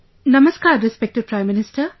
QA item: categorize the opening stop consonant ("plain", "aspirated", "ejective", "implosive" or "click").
plain